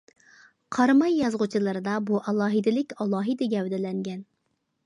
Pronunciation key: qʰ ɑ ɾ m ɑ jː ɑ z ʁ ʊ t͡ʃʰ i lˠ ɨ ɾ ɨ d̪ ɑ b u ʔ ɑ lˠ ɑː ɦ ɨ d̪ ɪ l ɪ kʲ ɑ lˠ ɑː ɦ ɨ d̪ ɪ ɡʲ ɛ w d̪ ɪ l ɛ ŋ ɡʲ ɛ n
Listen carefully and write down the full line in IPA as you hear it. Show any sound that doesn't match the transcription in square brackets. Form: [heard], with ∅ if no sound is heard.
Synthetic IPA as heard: qʰ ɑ ɾ m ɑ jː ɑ z ʁ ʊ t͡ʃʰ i lˠ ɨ ɾ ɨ d̪ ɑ b u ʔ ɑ lˠ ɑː ɦ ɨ d̪ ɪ l ɪ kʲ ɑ lˠ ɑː ɦ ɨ d̪ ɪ ɡʲ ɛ w d̪ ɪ l ɛ ŋ ɡʲ ɛ n